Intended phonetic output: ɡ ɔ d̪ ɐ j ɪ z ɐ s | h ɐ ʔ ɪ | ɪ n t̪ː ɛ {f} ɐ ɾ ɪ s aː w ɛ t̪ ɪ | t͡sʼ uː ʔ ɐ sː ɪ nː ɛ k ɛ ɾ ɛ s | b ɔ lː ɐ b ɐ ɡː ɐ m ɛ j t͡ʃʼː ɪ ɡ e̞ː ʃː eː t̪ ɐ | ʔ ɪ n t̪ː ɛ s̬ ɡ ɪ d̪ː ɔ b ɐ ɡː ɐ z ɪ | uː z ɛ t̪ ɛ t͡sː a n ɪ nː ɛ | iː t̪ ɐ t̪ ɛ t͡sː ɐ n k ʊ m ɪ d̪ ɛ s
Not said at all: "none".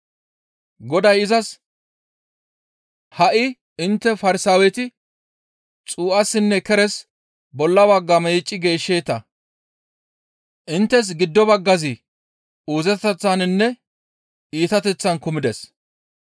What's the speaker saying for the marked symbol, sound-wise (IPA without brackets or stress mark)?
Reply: f